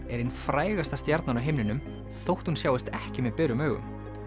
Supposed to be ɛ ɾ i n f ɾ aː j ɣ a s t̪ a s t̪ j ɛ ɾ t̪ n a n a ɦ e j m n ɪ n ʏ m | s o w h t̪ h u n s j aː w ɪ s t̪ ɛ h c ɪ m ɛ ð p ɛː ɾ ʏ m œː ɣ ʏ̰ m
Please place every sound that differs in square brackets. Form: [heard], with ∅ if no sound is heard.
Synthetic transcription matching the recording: ɛ ɾ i n f ɾ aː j ɣ a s t̪ a s t̪ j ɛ ɾ t̪ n a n a ɦ e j m n ɪ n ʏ m | [θ] o w h t̪ h u n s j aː w ɪ s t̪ ɛ h c ɪ m ɛ ð p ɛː ɾ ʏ m œː ɣ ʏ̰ m